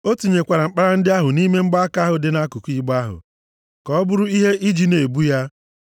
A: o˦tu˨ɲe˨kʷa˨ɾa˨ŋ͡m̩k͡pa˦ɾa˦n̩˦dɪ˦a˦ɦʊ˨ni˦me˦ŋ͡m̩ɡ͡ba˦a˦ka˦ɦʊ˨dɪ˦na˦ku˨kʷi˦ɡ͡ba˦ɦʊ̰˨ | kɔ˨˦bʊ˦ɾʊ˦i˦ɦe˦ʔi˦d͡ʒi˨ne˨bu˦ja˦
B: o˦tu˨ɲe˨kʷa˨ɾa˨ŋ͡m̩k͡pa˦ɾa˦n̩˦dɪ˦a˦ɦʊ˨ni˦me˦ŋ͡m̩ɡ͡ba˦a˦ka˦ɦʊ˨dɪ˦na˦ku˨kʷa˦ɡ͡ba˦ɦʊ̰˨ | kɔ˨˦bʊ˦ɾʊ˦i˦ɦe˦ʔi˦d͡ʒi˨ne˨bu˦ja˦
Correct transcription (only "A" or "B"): A